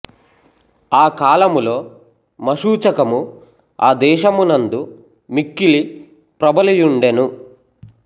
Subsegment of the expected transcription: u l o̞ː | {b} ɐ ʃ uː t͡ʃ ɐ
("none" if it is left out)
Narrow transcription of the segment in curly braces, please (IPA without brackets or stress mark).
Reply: m